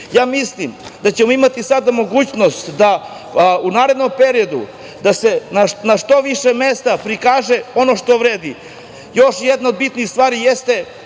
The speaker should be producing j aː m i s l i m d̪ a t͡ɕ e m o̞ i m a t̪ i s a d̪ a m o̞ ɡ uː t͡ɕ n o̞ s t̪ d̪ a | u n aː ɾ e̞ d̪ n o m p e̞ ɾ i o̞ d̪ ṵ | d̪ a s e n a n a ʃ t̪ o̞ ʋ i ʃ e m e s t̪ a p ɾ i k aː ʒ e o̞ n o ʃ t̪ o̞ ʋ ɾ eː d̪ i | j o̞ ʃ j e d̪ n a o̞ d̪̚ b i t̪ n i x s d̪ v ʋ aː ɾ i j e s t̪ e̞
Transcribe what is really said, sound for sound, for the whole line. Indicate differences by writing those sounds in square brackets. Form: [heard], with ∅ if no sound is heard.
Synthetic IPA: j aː m i s l i m d̪ a t͡ɕ e m o̞ i m a t̪ i s a d̪ a m o̞ ɡ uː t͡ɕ n o̞ s t̪ d̪ a | u n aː ɾ e̞ d̪ n o m p e̞ ɾ i o̞ d̪ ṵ | d̪ a s e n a n a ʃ t̪ o̞ ʋ i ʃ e m e s t̪ a p ɾ i k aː ʒ e o̞ n o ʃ t̪ o̞ ʋ ɾ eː d̪ i | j o̞ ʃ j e d̪ n a o̞ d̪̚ b i t̪ n i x s [t̪] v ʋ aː ɾ i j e s t̪ e̞